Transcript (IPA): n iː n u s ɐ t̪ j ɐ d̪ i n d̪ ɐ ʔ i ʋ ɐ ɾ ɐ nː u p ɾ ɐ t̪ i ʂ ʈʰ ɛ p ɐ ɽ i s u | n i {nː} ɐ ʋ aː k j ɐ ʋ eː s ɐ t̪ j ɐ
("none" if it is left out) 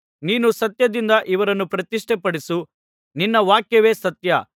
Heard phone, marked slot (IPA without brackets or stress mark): nː